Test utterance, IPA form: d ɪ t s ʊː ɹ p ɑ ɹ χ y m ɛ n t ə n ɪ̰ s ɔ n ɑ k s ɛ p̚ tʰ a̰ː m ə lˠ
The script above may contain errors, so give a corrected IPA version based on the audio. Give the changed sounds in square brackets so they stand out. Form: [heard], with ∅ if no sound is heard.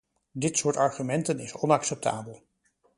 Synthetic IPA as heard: d ɪ t s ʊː ɹ [t] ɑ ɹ χ y m ɛ n t ə n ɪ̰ s ɔ n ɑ k s ɛ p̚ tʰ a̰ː [b] ə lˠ